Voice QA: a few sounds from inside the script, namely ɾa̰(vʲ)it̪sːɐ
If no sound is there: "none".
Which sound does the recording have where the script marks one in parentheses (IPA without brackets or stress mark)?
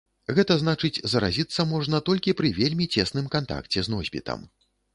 zʲ